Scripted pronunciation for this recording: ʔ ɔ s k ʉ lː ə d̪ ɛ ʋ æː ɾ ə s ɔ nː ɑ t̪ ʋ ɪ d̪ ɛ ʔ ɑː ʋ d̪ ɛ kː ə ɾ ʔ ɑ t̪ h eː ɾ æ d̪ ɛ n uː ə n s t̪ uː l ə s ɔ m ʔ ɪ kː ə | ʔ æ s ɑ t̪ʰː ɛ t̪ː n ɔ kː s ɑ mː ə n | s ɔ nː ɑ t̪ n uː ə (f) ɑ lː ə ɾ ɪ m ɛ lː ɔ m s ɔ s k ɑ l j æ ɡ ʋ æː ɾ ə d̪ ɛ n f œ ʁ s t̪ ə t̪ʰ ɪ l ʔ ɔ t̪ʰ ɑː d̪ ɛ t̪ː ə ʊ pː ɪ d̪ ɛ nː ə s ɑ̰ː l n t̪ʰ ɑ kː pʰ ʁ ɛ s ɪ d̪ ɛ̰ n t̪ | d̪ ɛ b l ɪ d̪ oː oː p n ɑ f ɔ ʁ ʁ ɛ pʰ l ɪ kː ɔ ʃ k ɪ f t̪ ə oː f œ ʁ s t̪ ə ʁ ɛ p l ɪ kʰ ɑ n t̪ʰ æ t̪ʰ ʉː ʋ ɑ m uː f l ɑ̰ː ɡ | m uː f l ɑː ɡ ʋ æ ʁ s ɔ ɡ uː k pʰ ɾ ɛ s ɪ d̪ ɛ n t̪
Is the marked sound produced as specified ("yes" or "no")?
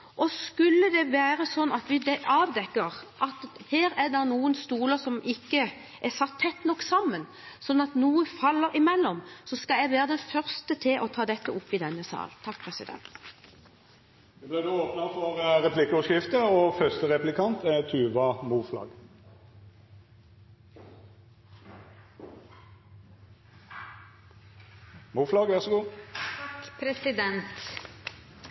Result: yes